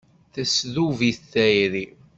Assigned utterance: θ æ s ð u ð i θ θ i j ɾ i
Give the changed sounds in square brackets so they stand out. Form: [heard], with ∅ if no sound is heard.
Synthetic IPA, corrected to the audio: θ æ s ð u [v] i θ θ [æ] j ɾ i